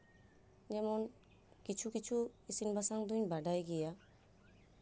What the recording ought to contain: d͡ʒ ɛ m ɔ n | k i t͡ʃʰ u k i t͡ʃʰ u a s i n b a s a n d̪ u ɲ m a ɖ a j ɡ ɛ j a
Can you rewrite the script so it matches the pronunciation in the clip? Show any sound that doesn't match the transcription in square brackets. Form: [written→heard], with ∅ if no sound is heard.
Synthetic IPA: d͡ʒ ɛ m ɔ n | k i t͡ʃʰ u k i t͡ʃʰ u [a→i] s i n b a s a [n→ŋ] d̪ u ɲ [m→b] a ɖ a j ɡ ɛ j a